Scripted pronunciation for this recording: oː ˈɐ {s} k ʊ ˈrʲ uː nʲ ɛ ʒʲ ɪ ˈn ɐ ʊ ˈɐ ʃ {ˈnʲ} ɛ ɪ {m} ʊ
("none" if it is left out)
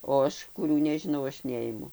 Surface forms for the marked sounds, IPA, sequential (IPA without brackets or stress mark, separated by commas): ʃ, nʲ, m